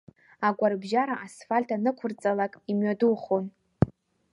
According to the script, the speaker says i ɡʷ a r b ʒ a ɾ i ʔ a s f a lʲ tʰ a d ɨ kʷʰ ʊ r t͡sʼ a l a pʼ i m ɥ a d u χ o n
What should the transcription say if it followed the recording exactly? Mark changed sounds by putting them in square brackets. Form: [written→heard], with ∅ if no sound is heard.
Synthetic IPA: [i→a] ɡʷ a r b ʒ a ɾ [i→a] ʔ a s f a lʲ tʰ a [d→n] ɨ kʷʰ ʊ r t͡sʼ a l a [pʼ→kʼ] i m ɥ a d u χ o n